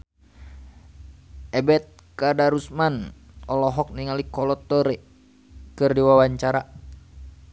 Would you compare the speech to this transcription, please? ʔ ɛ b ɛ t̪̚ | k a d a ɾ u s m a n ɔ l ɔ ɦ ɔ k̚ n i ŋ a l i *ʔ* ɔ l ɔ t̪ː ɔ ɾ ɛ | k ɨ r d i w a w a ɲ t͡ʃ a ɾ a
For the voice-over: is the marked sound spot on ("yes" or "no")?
no